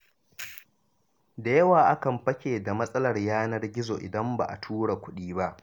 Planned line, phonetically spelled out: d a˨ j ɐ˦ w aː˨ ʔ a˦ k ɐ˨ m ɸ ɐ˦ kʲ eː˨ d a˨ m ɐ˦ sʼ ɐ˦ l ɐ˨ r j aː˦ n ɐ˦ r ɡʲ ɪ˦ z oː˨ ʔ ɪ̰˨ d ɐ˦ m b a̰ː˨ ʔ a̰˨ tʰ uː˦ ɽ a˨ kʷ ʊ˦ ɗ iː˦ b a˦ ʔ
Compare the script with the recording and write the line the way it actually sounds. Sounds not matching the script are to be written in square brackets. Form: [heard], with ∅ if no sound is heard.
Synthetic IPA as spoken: d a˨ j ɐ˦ w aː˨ ʔ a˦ k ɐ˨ m ɸ ɐ˦ kʲ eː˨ d a˨ m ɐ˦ sʼ ɐ˦ l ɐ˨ r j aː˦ n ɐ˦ r ɡʲ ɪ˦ z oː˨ ʔ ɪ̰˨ d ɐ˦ m b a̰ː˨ ʔ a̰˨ tʰ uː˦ ɽ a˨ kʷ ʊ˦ ɗ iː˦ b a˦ ʔ

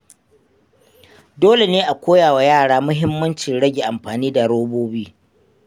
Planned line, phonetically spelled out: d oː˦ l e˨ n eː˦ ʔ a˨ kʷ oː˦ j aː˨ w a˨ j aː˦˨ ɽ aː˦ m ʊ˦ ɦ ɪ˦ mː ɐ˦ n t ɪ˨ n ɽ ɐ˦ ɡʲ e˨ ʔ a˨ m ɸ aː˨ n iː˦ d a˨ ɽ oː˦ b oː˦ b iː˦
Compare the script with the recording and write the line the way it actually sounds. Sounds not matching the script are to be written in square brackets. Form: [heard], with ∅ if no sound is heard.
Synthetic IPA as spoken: d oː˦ l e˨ n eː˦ ʔ a˨ kʷ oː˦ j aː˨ w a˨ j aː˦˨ ɽ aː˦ m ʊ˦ ɦ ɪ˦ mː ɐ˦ n [t͡ʃ] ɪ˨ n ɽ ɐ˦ ɡʲ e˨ ʔ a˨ m ɸ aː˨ n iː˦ d a˨ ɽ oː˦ b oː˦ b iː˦

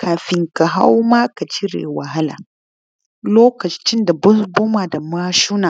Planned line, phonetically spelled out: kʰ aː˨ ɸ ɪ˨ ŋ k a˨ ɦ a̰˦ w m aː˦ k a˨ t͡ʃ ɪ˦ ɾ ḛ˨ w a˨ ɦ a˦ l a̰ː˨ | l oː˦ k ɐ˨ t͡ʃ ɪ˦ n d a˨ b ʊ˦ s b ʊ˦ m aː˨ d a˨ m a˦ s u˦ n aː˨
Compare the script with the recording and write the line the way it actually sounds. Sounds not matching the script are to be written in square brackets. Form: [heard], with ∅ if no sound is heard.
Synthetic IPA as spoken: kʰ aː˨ ɸ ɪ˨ ŋ k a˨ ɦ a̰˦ w m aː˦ k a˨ t͡ʃ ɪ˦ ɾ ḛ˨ w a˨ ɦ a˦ l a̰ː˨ | l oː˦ k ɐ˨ t͡ʃ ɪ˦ n d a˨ b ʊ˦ s b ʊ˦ m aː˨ d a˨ m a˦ [ʃ] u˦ n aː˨

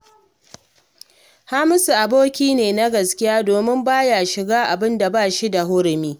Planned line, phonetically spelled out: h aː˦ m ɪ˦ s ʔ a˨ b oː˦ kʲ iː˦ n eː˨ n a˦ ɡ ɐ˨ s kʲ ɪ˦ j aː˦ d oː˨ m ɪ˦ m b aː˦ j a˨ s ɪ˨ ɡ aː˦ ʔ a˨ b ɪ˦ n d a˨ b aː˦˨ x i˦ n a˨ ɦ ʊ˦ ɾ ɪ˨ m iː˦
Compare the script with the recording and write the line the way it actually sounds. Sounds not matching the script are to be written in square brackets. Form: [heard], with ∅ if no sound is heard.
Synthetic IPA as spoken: h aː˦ m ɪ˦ s ʔ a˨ b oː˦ kʲ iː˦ n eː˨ n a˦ ɡ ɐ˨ s kʲ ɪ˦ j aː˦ d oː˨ m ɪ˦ m b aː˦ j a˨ [ʃ] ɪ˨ ɡ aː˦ ʔ a˨ b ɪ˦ n d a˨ b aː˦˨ [ʃ] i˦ [d] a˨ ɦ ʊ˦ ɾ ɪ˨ m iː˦

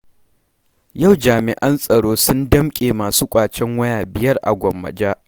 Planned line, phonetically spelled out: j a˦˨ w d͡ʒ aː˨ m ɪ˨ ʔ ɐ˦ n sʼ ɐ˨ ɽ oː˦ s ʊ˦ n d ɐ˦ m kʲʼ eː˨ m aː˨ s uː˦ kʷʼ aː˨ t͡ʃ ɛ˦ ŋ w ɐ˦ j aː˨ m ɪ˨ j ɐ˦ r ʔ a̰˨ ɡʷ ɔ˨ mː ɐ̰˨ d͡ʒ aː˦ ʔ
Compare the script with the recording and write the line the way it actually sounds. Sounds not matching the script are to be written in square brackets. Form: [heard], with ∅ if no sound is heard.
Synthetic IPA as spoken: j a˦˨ w d͡ʒ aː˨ m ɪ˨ ʔ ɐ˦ n sʼ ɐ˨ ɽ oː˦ s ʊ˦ n d ɐ˦ m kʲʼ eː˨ m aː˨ s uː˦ kʷʼ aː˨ t͡ʃ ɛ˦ ŋ w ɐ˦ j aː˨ [b] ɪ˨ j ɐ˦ r ʔ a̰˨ ɡʷ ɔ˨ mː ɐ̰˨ d͡ʒ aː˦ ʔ

